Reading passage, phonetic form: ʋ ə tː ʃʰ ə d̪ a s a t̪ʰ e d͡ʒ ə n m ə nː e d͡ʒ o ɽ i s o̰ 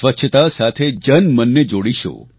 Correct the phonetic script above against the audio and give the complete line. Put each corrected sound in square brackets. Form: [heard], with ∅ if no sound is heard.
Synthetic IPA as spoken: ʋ ə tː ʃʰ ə [t̪] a s a t̪ʰ e d͡ʒ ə n m ə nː e d͡ʒ o ɽ i [ʃ] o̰